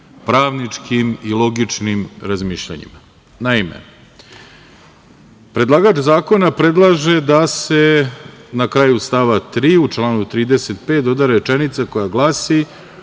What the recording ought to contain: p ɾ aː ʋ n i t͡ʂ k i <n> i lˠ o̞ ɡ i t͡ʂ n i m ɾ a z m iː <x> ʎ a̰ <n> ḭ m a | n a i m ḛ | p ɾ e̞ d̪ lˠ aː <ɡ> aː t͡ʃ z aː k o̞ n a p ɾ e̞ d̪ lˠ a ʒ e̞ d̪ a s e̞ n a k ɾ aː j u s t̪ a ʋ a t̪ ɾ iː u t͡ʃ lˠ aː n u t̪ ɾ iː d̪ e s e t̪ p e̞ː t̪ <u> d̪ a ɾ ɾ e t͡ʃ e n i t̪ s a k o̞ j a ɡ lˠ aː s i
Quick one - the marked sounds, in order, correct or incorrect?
incorrect: m, incorrect: ʃ, incorrect: ɲ, correct, incorrect: o

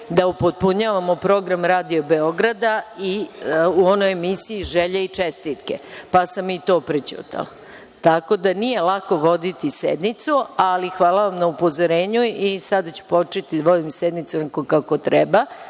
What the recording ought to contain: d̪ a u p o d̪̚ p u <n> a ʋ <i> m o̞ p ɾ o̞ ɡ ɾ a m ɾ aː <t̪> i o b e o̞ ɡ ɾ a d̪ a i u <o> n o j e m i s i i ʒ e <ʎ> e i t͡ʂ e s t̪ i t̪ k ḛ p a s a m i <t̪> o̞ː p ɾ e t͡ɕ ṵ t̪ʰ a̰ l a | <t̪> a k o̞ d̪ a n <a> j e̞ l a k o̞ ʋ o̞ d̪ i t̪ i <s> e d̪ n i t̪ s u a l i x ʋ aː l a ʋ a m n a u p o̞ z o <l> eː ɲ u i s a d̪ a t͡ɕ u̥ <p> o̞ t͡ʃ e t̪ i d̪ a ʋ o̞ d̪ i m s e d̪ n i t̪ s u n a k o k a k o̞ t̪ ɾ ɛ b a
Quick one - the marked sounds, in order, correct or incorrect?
incorrect: ɲ, incorrect: a, incorrect: d̪, correct, correct, correct, correct, incorrect: i, correct, incorrect: ɾ, correct

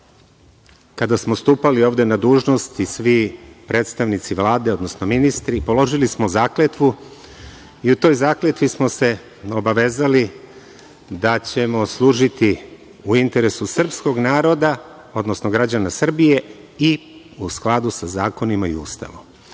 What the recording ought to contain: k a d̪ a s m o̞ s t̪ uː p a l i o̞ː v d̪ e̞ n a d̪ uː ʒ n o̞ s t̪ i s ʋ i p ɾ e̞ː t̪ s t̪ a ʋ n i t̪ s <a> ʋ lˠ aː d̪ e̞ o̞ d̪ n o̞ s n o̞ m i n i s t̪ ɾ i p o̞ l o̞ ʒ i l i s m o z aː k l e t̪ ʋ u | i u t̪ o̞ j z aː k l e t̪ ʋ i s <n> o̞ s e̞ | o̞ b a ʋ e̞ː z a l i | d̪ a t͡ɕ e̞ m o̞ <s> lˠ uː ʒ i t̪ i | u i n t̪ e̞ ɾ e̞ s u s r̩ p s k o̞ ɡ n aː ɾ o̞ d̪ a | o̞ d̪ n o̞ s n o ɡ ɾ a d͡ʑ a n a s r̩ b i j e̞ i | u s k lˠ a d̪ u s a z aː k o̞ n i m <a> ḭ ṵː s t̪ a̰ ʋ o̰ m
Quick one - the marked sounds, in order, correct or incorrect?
incorrect: i, incorrect: m, correct, correct

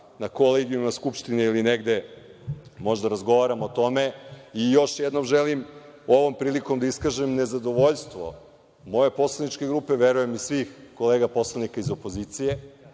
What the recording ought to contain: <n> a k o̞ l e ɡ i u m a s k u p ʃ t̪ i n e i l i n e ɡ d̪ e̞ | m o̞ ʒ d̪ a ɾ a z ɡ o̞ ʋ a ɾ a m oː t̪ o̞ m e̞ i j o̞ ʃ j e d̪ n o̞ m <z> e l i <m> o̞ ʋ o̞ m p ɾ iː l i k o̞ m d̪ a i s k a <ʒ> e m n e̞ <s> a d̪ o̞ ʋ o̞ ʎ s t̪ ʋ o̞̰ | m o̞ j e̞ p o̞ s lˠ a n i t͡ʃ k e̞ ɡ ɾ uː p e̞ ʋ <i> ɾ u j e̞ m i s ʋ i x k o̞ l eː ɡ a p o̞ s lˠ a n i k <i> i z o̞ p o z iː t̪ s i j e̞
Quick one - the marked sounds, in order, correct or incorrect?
correct, incorrect: ʒ, correct, correct, incorrect: z, incorrect: e, incorrect: a

